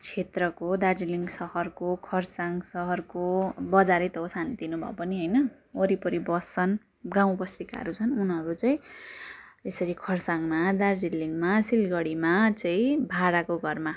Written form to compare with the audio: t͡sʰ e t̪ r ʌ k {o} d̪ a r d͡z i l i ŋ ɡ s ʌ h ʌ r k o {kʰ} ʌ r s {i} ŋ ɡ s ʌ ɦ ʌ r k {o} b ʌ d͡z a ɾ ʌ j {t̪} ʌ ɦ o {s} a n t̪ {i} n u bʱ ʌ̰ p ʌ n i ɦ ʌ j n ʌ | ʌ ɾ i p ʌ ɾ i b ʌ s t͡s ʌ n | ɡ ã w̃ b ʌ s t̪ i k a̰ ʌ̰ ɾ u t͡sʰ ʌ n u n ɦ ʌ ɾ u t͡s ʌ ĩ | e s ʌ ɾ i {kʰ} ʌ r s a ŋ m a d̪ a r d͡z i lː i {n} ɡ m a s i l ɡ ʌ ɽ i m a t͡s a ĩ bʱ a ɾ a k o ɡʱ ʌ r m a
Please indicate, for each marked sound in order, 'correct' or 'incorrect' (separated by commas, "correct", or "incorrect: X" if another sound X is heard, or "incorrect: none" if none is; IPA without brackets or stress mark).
correct, correct, incorrect: a, correct, correct, correct, correct, correct, incorrect: ŋ